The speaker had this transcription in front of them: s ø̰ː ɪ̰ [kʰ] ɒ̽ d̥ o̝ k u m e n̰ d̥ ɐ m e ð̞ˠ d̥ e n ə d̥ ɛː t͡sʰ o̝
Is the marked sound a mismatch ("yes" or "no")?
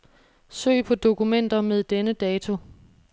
yes